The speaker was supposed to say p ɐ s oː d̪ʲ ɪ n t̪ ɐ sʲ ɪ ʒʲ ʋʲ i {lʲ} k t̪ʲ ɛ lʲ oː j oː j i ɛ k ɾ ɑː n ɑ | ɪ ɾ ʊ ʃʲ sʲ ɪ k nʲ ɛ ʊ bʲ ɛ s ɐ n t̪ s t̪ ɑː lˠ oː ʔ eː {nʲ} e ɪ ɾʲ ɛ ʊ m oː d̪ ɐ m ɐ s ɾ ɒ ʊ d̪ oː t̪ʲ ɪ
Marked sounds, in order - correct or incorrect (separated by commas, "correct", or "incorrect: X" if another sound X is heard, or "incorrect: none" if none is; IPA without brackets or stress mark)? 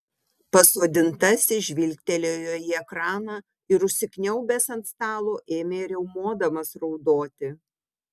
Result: correct, incorrect: mʲ